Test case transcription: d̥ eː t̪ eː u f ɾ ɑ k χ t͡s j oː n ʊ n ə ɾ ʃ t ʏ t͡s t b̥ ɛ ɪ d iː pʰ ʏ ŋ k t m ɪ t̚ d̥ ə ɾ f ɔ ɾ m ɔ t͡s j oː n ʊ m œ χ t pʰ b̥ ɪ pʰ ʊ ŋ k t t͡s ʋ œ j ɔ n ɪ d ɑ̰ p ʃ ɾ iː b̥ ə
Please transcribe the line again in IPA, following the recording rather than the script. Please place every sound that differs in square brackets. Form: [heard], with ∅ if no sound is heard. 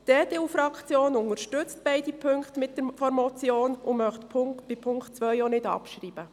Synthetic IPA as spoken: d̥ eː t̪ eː u f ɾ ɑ k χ t͡s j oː n ʊ n ə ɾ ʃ t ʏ t͡s t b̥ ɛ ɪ d [i] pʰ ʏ ŋ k t m ɪ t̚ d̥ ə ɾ f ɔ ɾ m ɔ t͡s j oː n ʊ m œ χ t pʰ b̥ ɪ pʰ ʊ ŋ k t t͡s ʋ œ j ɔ n ɪ d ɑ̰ p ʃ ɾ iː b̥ ə